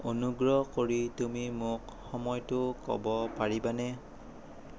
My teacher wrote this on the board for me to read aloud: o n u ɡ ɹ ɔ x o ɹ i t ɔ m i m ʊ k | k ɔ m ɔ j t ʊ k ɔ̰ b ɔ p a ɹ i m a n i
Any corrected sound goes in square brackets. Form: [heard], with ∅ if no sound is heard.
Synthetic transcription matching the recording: o n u ɡ ɹ ɔ [k] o ɹ i t [u] m i m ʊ k | [x] ɔ m ɔ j t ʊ k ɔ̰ b ɔ p a ɹ i [b] a n [ɛ]